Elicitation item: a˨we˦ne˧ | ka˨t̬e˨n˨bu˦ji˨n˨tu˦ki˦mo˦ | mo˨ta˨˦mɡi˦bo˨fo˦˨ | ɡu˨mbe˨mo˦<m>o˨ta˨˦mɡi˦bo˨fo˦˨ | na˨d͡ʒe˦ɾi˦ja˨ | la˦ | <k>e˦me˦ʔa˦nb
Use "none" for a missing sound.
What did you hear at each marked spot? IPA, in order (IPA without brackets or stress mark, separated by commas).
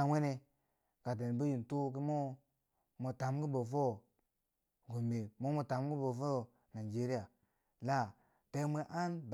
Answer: m, t